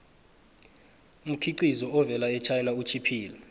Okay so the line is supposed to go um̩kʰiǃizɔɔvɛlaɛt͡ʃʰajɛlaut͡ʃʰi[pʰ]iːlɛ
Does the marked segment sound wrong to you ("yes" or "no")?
no